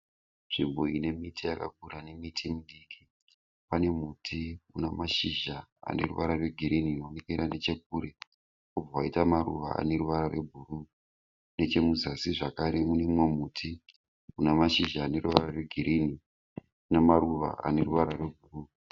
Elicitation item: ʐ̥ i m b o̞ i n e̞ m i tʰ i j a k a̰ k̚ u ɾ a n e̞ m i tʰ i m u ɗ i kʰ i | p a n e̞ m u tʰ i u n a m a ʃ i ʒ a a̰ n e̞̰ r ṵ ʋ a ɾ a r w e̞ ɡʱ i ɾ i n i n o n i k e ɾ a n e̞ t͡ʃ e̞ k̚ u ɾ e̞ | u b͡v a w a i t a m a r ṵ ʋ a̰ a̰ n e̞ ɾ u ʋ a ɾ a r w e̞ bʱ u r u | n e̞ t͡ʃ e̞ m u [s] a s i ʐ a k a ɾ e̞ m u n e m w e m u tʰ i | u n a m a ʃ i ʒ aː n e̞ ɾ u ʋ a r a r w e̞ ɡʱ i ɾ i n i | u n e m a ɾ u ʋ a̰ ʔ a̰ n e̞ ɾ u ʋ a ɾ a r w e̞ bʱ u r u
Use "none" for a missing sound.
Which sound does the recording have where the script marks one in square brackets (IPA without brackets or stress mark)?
z